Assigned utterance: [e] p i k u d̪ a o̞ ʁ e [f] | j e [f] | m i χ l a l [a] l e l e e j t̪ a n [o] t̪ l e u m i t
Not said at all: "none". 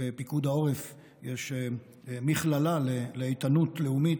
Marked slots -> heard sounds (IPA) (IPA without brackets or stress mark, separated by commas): e, f, ʃ, a, u